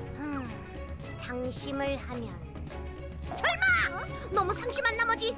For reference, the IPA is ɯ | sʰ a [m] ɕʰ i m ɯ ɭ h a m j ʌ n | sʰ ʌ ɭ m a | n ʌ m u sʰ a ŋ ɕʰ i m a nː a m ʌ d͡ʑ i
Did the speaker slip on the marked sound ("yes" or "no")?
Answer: yes